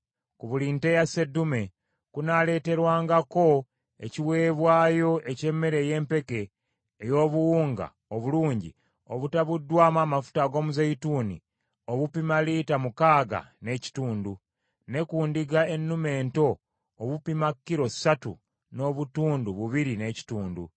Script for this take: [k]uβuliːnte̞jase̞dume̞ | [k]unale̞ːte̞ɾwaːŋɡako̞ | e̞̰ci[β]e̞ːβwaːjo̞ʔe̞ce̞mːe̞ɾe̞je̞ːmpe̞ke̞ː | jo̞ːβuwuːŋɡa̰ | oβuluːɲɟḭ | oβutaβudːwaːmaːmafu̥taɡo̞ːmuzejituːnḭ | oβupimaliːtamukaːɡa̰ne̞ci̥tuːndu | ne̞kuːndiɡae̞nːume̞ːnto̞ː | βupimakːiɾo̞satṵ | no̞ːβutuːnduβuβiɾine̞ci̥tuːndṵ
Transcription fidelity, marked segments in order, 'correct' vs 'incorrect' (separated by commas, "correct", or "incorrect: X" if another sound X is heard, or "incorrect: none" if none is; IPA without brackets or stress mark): correct, correct, incorrect: w